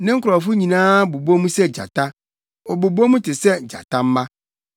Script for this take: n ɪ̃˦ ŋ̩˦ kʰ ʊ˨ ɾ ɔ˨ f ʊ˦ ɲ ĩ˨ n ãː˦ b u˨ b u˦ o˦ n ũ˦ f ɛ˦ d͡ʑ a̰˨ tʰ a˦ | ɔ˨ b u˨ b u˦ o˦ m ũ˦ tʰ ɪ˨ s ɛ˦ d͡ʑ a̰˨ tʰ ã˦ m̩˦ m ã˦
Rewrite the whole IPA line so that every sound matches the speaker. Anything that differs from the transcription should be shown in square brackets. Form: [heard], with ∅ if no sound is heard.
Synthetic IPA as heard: n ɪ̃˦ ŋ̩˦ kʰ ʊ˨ ɾ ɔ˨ f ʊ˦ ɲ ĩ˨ n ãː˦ b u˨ b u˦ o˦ [m] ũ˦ [s] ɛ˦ d͡ʑ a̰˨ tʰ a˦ | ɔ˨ b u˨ b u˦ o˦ m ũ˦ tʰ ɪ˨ s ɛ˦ d͡ʑ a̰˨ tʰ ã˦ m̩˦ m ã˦